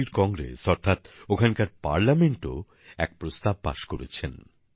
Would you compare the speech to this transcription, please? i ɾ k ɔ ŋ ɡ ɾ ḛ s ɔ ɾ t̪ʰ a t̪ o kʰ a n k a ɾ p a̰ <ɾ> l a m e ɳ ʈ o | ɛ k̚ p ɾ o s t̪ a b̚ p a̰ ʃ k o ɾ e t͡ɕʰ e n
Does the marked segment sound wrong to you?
no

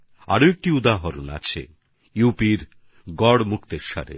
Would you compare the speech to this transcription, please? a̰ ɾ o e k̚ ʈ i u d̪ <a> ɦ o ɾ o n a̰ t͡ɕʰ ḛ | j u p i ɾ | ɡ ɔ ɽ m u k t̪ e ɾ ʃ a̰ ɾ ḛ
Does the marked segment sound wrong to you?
no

